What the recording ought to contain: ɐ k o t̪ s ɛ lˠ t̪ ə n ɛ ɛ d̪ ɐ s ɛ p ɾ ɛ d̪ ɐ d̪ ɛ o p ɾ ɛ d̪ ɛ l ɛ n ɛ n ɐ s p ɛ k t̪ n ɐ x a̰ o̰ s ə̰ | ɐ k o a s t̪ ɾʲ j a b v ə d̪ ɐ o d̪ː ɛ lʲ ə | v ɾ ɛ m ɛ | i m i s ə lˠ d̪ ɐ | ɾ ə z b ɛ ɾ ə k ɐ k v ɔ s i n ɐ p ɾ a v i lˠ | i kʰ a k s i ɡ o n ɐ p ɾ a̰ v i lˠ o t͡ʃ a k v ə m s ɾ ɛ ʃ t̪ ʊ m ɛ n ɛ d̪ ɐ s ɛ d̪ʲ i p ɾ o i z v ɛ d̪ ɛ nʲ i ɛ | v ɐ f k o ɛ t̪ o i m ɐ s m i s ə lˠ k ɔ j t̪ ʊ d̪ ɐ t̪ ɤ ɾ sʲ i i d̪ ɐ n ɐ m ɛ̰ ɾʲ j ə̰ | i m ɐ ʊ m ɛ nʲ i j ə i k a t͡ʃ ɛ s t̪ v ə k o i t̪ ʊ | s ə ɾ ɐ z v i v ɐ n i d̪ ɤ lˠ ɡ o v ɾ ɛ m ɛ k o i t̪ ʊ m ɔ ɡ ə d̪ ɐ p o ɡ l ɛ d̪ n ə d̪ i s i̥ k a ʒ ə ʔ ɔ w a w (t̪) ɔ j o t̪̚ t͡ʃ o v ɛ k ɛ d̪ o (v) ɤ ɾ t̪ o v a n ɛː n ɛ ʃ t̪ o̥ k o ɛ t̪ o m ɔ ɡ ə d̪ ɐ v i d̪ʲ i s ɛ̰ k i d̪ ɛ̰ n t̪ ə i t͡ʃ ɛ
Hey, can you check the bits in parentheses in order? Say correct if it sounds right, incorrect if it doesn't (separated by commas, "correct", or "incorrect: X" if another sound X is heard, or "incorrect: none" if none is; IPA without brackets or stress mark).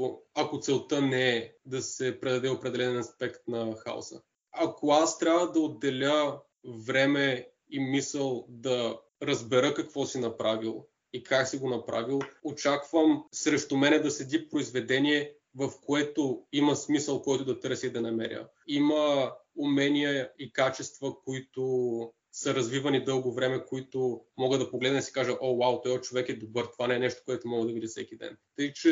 correct, incorrect: b